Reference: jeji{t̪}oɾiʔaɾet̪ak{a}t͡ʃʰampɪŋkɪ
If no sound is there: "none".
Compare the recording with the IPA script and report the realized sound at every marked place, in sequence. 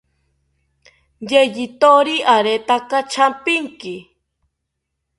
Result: t̪, a

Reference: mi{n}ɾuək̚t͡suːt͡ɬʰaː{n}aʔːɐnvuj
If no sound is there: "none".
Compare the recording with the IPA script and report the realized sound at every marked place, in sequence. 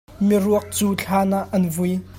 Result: none, n

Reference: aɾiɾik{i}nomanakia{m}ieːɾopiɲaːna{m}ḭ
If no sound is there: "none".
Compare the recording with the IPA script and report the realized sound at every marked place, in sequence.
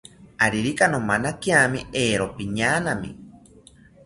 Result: a, m, m

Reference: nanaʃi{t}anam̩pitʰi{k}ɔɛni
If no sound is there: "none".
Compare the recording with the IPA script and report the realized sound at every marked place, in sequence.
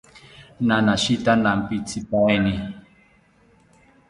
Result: t, p

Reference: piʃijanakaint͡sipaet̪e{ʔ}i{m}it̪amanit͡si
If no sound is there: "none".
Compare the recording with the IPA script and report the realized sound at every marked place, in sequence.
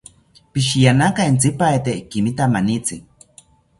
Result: k, m

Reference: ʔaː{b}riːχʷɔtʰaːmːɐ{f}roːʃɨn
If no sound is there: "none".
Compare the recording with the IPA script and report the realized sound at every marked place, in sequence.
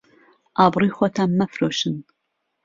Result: b, f

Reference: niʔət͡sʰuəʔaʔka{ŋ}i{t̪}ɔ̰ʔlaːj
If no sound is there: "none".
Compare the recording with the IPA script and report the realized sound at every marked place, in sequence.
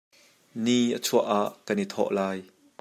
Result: n, t̪ʰ

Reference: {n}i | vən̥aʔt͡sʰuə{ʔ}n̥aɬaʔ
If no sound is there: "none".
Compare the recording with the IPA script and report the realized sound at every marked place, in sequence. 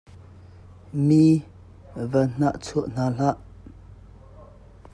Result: m, ʔ

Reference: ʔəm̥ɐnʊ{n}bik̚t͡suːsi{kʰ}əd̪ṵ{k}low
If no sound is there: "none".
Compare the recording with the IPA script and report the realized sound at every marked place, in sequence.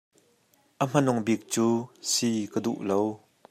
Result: ŋ, k, ʔ

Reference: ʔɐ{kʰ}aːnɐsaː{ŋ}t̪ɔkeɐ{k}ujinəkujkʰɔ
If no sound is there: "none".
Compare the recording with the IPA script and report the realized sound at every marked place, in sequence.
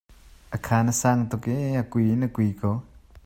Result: kʰ, ŋ, k

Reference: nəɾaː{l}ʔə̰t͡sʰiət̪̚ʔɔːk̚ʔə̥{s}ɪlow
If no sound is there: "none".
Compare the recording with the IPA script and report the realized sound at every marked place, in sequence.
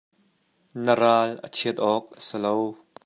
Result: l, s

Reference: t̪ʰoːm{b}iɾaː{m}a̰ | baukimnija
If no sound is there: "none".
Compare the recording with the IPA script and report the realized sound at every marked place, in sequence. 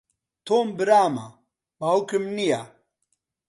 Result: b, m

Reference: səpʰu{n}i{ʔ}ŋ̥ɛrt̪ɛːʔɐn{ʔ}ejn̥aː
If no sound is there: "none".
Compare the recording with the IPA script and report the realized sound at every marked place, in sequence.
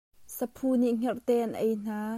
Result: n, ʔ, ʔ

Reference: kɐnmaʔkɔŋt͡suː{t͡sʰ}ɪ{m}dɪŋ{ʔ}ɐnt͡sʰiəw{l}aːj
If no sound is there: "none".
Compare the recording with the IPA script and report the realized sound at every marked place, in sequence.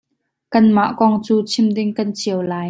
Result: t͡sʰ, m, k, l

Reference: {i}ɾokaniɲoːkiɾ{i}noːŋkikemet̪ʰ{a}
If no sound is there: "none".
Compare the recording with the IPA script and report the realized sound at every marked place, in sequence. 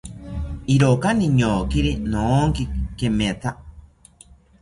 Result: i, i, a

